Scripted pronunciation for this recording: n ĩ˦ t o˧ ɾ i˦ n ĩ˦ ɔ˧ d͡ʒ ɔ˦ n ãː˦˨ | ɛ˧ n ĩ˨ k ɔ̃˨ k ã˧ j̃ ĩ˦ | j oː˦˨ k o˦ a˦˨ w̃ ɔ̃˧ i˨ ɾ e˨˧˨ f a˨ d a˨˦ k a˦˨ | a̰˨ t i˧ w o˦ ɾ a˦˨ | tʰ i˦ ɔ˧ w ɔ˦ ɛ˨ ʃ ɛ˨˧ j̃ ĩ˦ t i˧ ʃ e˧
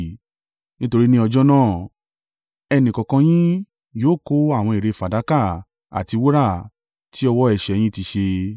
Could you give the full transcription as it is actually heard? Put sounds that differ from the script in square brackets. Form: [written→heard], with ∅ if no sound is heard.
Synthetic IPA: n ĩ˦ t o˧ ɾ i˦ n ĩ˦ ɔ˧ d͡ʒ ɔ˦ n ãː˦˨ | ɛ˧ n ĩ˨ k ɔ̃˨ k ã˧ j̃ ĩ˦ | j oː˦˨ k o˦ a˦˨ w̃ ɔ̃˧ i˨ ɾ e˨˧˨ f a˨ d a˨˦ k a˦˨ | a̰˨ t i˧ w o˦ ɾ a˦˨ | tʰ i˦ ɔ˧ w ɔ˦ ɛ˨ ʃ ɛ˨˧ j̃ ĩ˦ t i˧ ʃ e˧